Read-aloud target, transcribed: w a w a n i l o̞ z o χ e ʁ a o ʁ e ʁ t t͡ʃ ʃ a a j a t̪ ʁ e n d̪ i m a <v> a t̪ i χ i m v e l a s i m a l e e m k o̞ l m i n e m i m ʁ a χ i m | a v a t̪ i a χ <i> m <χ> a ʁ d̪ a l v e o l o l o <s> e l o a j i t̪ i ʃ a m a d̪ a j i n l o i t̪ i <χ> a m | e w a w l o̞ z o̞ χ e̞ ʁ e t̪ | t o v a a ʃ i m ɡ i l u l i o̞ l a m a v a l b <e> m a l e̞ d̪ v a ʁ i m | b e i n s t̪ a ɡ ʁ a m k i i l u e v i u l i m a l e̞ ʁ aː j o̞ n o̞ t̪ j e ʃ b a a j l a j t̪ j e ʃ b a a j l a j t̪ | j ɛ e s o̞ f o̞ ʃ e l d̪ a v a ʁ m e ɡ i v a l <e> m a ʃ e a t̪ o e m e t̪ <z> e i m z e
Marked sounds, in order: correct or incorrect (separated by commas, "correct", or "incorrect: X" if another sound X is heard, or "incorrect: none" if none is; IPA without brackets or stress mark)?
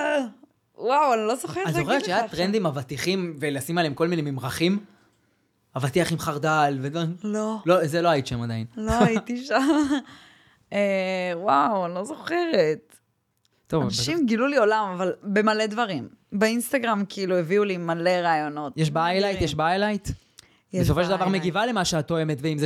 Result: correct, correct, correct, incorrect: z, incorrect: ʃ, correct, correct, incorrect: v